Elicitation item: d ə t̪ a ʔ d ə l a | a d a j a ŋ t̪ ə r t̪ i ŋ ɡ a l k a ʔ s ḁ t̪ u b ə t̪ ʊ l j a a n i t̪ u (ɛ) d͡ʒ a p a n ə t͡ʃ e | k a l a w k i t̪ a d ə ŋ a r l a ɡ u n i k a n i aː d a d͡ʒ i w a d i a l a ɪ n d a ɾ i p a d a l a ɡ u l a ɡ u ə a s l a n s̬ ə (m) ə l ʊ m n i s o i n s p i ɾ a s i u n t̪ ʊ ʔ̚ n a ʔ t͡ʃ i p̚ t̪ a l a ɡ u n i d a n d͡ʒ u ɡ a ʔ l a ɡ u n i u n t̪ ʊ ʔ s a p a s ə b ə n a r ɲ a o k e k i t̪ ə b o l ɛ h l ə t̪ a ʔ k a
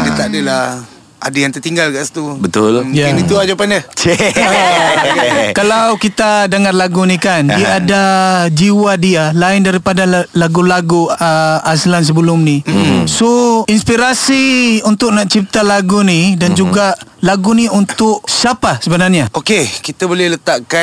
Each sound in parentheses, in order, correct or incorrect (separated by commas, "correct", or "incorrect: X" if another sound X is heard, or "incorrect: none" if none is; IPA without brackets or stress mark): incorrect: a, incorrect: b